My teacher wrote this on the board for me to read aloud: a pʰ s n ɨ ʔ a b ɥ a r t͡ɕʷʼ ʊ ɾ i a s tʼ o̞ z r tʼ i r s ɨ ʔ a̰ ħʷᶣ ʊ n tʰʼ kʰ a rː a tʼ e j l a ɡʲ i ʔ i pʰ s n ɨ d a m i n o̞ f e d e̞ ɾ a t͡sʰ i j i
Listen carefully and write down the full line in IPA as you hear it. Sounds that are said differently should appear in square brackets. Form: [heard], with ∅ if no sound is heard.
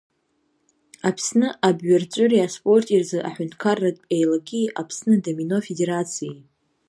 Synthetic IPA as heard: a pʰ s n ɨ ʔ a b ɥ a r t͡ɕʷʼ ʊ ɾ i a s [pʼ] o̞ [∅] r tʼ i r [z] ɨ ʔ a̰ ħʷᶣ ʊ n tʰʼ kʰ a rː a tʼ e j l a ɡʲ i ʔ [a] pʰ s n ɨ d a m i n o̞ f e d e̞ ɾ a t͡sʰ i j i

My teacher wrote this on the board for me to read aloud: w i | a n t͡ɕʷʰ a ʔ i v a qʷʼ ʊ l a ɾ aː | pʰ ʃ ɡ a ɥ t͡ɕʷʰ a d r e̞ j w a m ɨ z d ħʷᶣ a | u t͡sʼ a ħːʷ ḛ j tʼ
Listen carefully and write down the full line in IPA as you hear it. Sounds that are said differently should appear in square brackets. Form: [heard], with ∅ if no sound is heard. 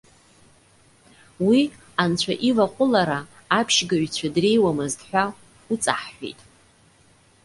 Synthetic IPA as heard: w i | a n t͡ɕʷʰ a ʔ i v a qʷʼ ʊ l a ɾ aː | pʰ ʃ ɡ a ɥ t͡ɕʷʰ a d r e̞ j w a m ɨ z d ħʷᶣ a | u t͡sʼ a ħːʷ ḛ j tʼ

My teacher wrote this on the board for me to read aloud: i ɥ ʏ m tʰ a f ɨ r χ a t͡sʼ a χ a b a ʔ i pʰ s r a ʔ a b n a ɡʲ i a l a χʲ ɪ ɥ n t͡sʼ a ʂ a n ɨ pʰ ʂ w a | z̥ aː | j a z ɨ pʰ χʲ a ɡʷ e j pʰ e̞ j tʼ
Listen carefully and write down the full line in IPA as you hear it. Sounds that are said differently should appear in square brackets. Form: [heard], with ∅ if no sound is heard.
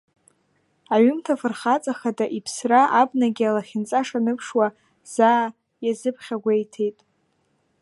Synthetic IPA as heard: [a] ɥ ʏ m tʰ a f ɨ r χ a t͡sʼ a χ a [d] a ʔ i pʰ s r a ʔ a b n a ɡʲ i a l a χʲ ɪ [∅] n t͡sʼ a ʂ a n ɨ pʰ ʂ w a | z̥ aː | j a z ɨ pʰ χʲ a ɡʷ e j [tʰ] e̞ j tʼ

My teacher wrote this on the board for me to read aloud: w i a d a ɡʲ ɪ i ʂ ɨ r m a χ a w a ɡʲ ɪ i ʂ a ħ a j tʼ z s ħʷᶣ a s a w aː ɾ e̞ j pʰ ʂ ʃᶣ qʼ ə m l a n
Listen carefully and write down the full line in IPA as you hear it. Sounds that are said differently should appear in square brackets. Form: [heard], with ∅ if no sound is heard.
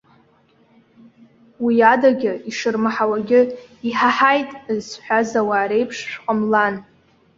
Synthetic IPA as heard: w i a d a ɡʲ ɪ i ʂ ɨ r m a [ħ] a w a ɡʲ ɪ i [ħ] a ħ a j tʼ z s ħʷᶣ a [z] a w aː ɾ e̞ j pʰ ʂ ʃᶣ qʼ ə m l a n

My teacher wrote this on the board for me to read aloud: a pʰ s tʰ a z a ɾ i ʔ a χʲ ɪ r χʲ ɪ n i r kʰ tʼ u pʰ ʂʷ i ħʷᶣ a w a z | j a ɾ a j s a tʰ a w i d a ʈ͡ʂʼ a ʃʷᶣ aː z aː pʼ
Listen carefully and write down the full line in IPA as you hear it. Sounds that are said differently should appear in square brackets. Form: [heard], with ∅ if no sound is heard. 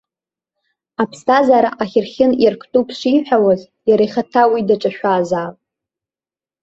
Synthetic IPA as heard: a pʰ s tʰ a z a ɾ [a] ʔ a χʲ ɪ r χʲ ɪ n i r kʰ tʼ u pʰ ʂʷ i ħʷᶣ a w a z | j a ɾ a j [χ] a tʰ a w i d a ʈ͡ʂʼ a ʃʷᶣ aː z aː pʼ

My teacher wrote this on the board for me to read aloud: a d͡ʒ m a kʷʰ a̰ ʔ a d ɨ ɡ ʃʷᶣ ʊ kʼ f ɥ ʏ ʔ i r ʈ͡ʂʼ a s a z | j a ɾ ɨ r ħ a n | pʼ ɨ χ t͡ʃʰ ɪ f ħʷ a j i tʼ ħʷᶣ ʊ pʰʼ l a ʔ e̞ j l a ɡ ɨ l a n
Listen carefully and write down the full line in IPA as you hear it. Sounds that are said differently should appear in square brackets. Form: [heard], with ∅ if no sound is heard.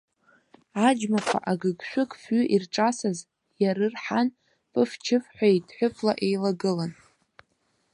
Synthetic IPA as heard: a d͡ʒ m a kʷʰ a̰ ʔ a [ɡ] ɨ ɡ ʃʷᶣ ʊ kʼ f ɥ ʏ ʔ i r ʈ͡ʂʼ a s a z | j a ɾ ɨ r ħ a n | pʼ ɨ [f] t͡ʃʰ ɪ f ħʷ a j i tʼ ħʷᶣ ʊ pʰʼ l a ʔ e̞ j l a ɡ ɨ l a n

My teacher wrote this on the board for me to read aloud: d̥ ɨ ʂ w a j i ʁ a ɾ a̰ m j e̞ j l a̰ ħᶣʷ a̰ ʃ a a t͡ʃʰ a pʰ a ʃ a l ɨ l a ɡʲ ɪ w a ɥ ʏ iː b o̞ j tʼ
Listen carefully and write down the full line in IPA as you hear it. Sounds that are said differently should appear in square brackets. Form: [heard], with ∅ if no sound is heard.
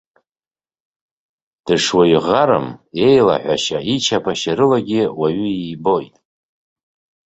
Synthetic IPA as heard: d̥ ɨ ʂ w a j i ʁ a ɾ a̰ m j e̞ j l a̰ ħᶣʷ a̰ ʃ a [i] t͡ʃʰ a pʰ a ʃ a [ɾ] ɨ l a ɡʲ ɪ w a ɥ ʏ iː b o̞ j tʼ

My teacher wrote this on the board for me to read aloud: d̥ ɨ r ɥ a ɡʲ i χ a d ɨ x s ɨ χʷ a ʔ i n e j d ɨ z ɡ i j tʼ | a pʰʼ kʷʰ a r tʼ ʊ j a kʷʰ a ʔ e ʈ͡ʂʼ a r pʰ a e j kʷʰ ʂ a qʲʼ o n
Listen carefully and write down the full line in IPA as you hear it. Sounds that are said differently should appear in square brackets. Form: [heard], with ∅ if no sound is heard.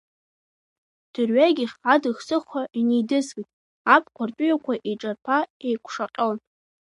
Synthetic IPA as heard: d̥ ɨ r ɥ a ɡʲ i χ a d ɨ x s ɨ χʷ a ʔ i n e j d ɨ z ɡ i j tʼ | a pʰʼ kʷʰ a r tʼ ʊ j a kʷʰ a ʔ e ʈ͡ʂʼ a r pʰ a e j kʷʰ ʂ a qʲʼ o n

